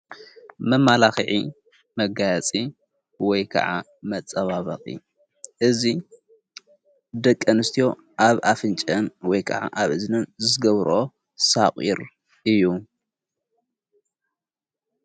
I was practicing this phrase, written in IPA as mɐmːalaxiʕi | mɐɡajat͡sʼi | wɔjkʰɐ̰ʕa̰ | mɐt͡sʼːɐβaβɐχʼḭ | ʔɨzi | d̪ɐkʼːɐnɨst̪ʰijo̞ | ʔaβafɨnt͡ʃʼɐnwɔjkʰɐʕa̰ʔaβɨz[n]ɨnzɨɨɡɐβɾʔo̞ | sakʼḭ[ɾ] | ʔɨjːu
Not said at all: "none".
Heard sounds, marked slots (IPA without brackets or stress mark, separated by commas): n, ɾ